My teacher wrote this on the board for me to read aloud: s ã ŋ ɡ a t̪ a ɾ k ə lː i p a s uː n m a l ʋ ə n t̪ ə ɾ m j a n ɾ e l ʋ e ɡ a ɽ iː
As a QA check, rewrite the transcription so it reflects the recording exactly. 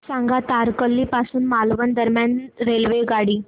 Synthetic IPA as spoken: s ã ŋ ɡ a t̪ a ɾ k ə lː i p a s uː n m a l ʋ ə n d̪ ə ɾ m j a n ɾ e l ʋ e ɡ a ɽ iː